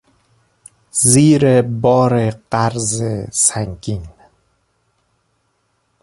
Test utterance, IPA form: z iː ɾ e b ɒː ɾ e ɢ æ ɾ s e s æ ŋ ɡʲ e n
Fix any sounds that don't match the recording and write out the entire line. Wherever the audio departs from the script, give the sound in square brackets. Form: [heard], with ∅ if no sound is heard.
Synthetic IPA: z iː ɾ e b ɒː ɾ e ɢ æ ɾ [z] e s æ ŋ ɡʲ [i] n